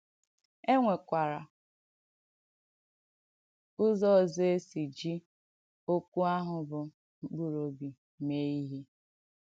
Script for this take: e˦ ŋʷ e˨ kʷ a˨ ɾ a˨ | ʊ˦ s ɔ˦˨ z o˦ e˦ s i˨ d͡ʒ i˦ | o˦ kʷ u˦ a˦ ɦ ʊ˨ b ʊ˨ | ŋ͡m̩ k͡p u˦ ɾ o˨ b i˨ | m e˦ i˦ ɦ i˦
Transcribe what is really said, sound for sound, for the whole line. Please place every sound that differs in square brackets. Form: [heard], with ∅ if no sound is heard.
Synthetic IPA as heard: e˦ ŋʷ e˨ kʷ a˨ ɾ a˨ | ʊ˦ [z] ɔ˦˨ z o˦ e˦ s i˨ d͡ʒ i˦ | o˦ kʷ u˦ a˦ ɦ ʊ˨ b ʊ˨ | ŋ͡m̩ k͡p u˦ ɾ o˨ b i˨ | m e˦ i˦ ɦ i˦